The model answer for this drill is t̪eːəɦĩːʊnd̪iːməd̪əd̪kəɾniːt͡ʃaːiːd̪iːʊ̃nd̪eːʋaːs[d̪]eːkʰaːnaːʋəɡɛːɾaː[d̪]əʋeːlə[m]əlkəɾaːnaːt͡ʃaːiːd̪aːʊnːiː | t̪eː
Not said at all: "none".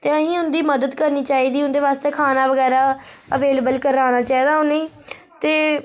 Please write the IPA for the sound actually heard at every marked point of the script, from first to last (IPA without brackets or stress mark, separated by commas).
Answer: t̪, none, b